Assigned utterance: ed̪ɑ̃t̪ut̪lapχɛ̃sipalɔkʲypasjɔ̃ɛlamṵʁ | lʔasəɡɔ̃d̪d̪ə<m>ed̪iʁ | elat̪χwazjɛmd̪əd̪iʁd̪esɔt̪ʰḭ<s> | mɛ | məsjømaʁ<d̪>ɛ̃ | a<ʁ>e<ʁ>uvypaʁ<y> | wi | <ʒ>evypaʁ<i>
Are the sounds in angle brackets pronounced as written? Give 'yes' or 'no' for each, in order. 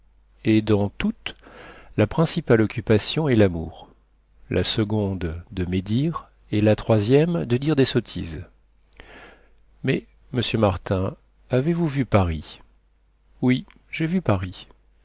yes, no, no, no, no, no, yes, yes

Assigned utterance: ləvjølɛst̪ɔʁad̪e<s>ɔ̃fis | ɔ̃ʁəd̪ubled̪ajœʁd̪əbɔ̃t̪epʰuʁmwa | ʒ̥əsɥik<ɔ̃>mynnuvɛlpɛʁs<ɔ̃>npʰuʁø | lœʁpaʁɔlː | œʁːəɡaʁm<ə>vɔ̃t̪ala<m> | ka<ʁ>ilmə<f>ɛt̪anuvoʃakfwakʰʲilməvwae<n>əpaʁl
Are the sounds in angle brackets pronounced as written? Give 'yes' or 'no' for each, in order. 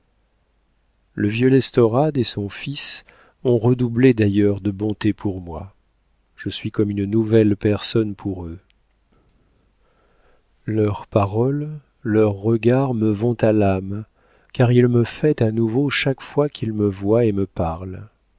yes, no, no, yes, yes, yes, yes, no

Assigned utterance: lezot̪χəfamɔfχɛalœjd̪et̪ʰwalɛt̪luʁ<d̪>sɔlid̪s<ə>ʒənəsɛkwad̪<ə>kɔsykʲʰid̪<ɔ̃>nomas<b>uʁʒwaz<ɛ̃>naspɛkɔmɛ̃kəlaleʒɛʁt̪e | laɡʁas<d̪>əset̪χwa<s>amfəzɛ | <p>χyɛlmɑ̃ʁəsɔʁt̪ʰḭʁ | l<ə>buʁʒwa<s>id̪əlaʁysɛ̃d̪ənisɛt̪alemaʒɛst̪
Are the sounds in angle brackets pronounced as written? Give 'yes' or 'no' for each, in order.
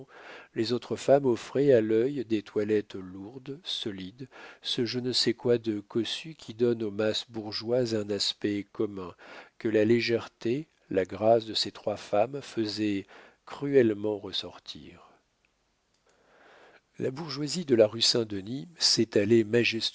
yes, yes, yes, no, yes, yes, yes, no, no, no, no

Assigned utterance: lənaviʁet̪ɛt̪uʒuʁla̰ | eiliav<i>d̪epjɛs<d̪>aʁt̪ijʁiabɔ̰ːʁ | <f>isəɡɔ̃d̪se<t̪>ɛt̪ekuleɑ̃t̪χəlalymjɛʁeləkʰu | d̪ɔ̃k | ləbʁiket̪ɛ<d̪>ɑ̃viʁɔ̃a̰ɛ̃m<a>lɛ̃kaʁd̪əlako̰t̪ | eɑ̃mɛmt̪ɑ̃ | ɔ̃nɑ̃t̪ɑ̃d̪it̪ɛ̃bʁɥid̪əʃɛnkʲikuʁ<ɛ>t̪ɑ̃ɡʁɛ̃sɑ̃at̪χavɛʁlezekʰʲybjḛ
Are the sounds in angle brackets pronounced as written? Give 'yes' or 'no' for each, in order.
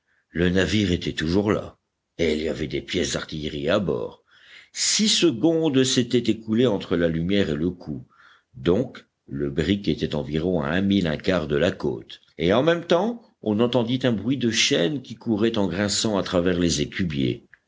no, yes, no, yes, no, no, yes

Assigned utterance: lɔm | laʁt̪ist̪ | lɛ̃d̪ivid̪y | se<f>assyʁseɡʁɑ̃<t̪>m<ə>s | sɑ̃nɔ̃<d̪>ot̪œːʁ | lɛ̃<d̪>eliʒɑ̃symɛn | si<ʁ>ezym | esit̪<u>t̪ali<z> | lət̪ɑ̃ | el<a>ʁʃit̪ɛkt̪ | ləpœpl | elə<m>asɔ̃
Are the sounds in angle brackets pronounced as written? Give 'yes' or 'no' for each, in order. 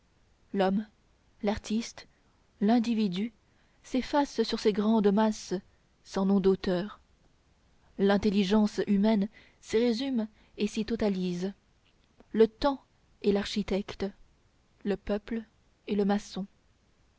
yes, no, no, yes, no, yes, no, yes, yes, yes

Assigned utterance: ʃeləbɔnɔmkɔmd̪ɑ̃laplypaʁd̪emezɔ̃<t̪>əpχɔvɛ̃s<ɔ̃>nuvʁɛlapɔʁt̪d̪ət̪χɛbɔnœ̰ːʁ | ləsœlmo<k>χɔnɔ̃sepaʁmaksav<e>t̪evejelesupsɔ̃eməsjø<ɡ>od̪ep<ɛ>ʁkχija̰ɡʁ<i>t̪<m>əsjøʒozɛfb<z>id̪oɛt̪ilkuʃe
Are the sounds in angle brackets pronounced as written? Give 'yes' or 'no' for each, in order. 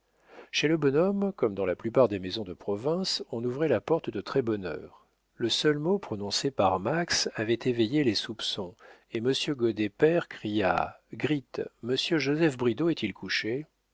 no, yes, no, no, yes, yes, yes, yes, no

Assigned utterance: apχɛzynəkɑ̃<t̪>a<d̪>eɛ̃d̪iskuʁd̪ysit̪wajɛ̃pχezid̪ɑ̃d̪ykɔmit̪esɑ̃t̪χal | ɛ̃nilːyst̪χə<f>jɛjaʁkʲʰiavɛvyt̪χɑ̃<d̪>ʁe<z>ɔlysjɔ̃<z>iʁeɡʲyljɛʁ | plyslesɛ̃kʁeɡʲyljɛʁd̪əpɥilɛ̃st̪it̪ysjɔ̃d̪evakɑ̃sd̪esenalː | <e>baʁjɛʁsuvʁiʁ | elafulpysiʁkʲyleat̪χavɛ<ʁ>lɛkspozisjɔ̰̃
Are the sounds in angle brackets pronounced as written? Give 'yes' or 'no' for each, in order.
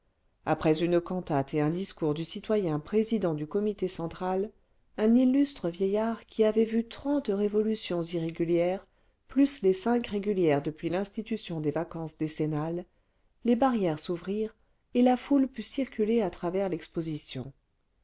yes, no, no, no, no, yes, yes, yes

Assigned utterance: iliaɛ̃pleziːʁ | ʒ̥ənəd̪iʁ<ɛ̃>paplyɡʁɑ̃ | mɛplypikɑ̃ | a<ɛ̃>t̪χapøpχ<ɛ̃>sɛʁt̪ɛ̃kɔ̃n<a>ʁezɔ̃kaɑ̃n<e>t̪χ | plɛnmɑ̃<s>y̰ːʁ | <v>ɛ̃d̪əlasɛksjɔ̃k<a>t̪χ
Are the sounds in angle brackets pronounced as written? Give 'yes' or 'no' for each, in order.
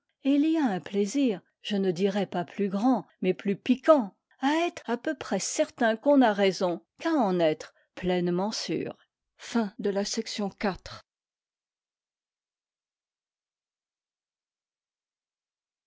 no, no, no, yes, no, yes, no, yes

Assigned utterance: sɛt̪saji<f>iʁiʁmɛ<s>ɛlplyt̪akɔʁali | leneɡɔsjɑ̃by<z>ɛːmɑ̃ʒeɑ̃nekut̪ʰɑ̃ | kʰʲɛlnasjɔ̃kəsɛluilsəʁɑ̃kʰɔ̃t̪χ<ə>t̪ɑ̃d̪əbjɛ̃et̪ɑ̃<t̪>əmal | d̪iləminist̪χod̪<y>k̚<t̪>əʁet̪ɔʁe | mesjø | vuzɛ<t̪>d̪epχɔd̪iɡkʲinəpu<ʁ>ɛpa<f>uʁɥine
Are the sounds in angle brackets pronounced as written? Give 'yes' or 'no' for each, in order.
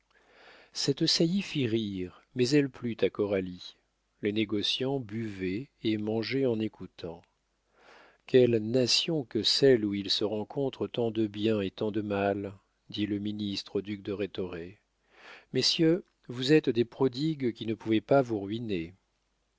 yes, no, no, yes, no, yes, no, yes, no, no

